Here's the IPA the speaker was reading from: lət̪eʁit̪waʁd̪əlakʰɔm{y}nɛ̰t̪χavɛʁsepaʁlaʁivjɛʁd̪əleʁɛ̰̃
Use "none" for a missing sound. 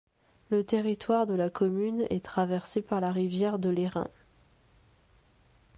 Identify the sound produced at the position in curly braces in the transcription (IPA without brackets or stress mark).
y